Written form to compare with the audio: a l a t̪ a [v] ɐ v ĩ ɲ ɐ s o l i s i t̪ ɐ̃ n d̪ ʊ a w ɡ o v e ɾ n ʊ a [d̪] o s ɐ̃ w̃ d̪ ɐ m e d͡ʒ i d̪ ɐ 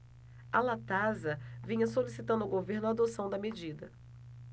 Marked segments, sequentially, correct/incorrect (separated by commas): incorrect, correct